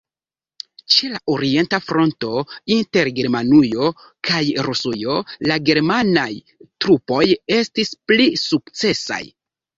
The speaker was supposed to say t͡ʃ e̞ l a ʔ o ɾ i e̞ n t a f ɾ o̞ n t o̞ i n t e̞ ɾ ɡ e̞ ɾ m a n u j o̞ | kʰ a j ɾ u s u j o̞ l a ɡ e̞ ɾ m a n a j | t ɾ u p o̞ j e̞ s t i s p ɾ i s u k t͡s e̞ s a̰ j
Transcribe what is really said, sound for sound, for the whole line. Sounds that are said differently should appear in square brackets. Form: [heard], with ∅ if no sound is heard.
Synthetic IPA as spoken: t͡ʃ e̞ l a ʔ o ɾ i e̞ n t a f ɾ o̞ n t o̞ i n t e̞ ɾ ɡ e̞ ɾ m a n u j o̞ | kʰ a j ɾ u s u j o̞ l a ɡ e̞ ɾ m a n a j | t ɾ u p o̞ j e̞ s t i s p [l] i s u k t͡s e̞ s a̰ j